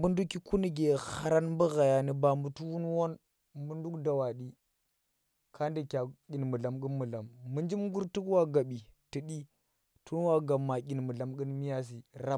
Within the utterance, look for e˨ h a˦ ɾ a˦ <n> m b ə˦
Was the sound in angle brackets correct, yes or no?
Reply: yes